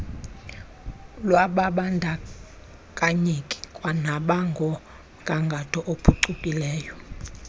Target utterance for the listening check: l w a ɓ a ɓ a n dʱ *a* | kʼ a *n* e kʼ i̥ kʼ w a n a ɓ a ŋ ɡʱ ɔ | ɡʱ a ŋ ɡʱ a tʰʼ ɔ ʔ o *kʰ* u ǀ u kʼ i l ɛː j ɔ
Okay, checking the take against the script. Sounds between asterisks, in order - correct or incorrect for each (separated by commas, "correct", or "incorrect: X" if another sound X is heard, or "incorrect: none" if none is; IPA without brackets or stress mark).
correct, incorrect: ɲ, incorrect: pʰ